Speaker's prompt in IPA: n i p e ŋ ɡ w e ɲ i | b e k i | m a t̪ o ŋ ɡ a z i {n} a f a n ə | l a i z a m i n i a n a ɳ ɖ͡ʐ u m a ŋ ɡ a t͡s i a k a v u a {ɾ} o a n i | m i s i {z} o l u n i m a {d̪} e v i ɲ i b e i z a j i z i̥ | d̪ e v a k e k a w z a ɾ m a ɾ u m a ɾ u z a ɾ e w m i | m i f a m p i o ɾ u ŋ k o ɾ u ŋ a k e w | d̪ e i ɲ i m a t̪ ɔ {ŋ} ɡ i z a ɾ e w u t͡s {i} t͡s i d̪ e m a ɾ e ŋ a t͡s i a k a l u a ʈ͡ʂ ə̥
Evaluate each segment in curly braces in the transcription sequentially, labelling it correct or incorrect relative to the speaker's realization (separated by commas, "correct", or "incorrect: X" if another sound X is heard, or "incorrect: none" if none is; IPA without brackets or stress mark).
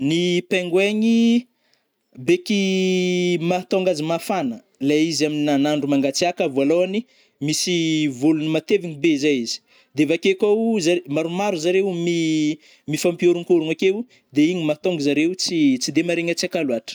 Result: incorrect: m, incorrect: l, incorrect: v, incorrect: t̪, correct, correct